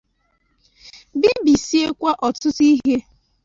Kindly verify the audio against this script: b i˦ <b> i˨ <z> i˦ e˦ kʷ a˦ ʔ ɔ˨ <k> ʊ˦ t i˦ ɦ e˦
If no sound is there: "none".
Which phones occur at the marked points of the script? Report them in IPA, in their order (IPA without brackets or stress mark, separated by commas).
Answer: b, s, t